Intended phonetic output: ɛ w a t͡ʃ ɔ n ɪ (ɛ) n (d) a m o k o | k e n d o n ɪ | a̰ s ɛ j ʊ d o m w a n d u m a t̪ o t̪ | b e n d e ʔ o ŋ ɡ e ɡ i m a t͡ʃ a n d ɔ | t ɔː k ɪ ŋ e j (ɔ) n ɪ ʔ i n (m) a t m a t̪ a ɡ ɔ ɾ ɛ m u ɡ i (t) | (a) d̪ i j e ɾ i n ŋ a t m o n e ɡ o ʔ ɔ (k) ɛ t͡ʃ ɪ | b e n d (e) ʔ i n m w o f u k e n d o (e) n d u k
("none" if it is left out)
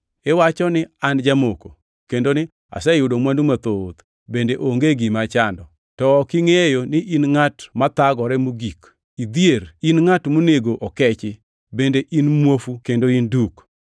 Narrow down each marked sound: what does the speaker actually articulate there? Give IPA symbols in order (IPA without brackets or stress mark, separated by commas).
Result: a, d͡ʒ, o, ŋ, k, i, k, e, i